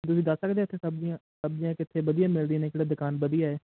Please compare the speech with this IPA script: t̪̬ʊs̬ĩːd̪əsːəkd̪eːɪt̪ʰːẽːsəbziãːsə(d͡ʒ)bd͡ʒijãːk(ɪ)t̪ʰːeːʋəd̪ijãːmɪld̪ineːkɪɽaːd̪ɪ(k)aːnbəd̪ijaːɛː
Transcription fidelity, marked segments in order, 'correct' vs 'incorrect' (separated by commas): incorrect, correct, correct